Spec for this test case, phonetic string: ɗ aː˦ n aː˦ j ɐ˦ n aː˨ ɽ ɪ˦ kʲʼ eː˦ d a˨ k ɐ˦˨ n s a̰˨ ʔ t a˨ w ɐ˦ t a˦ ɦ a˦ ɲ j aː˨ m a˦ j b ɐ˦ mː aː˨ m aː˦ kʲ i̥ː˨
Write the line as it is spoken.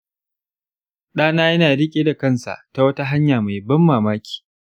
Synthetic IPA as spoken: ɗ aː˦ n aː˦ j ɐ˦ n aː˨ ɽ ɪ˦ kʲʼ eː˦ d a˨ k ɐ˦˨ n s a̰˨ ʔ t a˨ w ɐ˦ t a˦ ɦ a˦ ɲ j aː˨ m a˨ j b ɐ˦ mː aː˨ m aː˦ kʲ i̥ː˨